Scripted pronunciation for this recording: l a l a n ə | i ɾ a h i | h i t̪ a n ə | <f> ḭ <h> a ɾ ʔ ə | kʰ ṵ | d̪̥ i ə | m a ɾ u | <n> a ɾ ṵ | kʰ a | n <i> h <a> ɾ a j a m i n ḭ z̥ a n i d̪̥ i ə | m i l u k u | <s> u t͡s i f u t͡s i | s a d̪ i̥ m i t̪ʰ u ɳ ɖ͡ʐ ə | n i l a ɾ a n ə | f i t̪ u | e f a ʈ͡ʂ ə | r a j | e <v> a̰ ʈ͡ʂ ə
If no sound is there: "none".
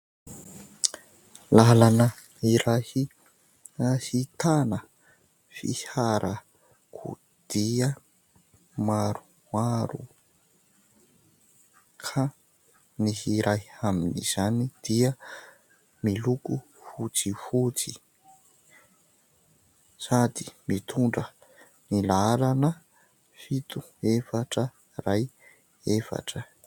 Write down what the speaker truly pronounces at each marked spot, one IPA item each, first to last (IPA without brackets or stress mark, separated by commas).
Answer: f, h, m, i, i, f, f